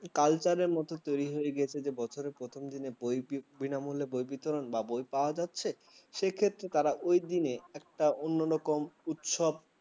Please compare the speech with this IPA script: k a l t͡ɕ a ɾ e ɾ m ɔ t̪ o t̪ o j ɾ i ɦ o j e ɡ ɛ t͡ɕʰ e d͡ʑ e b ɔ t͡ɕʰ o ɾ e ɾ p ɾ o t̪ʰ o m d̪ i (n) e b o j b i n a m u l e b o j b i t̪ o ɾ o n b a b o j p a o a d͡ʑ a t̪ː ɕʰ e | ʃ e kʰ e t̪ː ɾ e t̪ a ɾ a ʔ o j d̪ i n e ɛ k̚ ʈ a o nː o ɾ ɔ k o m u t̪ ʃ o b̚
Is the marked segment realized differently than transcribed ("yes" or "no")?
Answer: no